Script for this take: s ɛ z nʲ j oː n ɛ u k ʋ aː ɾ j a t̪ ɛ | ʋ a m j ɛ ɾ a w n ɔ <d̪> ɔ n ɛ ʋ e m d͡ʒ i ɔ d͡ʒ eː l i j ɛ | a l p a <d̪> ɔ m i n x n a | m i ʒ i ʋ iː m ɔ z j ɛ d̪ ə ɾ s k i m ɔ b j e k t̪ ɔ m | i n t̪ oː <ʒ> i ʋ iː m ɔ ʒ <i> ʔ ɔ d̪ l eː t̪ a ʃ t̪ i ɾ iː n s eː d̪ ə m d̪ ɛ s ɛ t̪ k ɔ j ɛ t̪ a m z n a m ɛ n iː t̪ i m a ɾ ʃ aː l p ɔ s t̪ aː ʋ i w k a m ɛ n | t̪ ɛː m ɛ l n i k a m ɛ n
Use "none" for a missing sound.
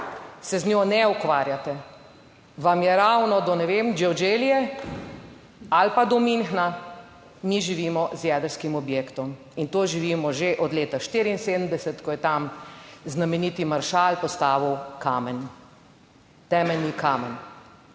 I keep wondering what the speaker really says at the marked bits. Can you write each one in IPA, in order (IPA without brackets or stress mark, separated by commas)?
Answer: d̪, d̪, ʒ, e